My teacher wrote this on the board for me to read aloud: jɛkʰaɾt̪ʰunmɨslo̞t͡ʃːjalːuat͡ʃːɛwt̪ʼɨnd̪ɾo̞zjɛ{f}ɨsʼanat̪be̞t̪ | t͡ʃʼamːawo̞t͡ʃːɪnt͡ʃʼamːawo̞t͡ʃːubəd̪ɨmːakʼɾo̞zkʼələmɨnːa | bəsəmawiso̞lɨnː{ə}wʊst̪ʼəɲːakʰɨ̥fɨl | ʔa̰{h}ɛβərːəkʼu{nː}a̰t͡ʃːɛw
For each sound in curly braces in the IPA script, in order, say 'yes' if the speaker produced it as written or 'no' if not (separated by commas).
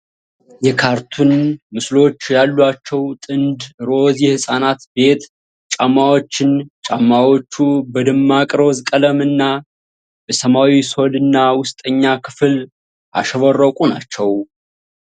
no, no, no, no